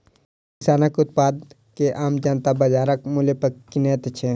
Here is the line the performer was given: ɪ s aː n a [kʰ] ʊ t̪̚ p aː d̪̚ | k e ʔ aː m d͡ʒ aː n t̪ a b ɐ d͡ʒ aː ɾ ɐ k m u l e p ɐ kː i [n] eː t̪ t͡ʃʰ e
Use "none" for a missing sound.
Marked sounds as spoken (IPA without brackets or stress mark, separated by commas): k, n